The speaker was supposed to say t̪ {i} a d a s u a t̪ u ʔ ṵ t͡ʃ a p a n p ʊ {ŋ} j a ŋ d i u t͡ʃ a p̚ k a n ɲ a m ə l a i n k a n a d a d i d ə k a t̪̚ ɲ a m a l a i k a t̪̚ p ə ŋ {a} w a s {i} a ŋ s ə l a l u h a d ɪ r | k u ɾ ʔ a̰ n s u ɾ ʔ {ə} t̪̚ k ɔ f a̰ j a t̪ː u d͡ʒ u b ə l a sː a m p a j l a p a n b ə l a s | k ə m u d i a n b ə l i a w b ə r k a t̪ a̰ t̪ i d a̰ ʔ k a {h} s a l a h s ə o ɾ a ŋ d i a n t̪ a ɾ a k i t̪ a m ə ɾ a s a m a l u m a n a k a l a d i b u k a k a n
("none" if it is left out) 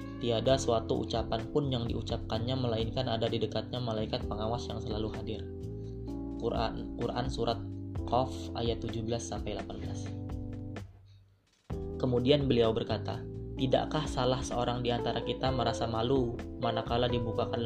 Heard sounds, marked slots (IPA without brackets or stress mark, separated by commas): i, n, a, j, a, h